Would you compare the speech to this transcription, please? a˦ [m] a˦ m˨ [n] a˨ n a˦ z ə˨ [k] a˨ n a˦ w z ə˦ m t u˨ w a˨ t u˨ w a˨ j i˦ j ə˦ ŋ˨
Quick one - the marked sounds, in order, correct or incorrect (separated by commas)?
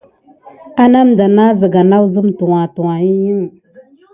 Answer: incorrect, incorrect, incorrect